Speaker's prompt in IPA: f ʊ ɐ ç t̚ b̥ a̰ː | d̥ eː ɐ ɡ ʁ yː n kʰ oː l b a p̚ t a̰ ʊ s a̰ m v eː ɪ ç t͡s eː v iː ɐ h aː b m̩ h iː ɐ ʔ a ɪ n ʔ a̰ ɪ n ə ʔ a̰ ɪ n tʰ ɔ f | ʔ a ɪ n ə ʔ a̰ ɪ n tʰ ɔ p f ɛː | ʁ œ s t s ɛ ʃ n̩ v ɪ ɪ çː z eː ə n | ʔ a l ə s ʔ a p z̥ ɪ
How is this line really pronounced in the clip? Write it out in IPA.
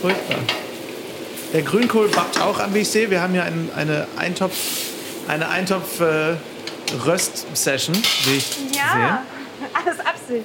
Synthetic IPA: f ʊ ɐ ç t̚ b̥ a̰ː | d̥ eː ɐ ɡ ʁ yː n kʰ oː l b a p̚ t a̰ ʊ x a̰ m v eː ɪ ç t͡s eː v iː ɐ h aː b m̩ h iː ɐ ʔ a ɪ n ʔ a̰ ɪ n ə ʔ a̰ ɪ n tʰ ɔ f | ʔ a ɪ n ə ʔ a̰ ɪ n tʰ ɔ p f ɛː | ʁ œ s t s ɛ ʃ n̩ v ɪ ɪ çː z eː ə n | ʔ a l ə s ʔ a p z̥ ɪ